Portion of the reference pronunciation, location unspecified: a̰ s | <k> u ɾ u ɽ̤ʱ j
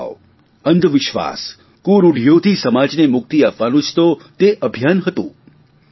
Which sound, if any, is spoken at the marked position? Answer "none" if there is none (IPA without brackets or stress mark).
k